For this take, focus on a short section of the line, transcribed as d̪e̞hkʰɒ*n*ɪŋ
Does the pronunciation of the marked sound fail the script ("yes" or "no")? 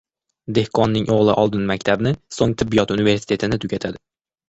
yes